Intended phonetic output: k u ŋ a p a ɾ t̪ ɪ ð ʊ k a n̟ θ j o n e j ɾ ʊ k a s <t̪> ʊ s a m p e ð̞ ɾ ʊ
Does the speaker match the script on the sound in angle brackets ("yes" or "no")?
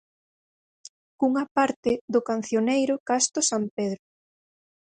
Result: yes